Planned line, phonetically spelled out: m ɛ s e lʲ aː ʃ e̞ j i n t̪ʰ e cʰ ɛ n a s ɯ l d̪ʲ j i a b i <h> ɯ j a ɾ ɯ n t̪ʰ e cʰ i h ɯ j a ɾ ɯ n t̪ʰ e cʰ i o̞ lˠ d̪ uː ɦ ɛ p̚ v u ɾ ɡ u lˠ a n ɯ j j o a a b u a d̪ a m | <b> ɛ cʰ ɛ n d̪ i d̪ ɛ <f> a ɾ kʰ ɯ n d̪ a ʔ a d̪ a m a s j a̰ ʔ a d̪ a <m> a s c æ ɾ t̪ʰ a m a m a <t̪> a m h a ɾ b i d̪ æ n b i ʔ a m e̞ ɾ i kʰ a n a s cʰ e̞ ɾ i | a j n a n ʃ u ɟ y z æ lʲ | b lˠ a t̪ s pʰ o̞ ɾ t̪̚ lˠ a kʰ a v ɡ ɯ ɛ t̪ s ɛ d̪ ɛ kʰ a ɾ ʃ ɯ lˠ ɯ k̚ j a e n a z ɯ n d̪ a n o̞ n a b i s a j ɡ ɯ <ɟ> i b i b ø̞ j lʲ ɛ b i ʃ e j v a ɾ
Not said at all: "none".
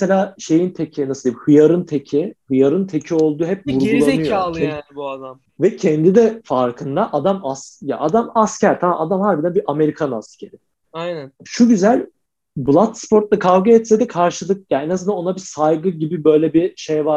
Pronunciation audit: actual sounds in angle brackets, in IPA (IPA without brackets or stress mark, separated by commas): h, v, f, m, d̪, ɟ